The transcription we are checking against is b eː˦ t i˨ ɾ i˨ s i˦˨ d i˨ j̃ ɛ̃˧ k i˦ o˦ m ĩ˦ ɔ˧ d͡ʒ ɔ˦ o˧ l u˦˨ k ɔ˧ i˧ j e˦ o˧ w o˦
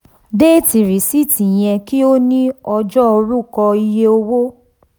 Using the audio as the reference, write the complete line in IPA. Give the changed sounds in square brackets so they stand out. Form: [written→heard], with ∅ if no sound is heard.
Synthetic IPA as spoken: [b→d] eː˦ t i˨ ɾ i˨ s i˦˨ [d→t] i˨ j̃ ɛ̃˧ k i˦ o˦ [m→n] ĩ˦ ɔ˧ d͡ʒ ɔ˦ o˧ [l→ɾ] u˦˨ k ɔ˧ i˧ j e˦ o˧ w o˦